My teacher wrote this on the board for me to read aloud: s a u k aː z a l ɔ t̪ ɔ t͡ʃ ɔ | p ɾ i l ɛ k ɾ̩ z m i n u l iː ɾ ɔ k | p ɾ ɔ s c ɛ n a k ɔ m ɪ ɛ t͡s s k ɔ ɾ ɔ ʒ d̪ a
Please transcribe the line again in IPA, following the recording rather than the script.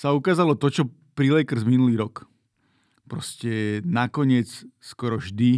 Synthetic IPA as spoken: s a u k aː z a l ɔ t̪ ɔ t͡ʃ ɔ | p ɾ i l ɛ k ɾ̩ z m i n u l iː ɾ ɔ k | p ɾ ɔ s c ɛ n a k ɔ ɲ ɪ ɛ t͡s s k ɔ ɾ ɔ ʒ d̪ i